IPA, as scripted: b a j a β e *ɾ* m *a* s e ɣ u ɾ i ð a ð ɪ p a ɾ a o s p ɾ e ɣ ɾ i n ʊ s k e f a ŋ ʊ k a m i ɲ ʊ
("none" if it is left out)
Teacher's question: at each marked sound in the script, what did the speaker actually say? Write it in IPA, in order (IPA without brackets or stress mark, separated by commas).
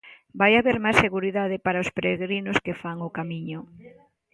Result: ɾ, a